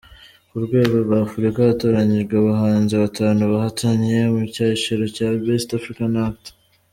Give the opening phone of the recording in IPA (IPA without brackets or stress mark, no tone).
u